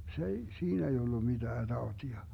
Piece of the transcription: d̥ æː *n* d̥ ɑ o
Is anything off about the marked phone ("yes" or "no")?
yes